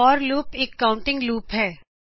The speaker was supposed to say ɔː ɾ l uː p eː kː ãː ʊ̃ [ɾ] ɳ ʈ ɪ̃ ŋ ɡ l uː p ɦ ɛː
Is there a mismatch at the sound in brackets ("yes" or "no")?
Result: yes